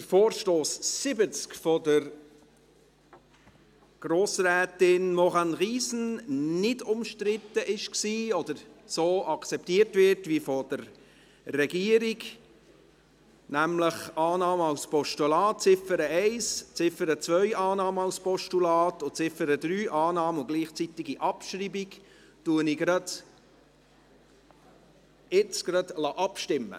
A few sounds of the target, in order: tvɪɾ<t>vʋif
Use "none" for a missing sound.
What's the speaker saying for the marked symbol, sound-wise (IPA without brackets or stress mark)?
t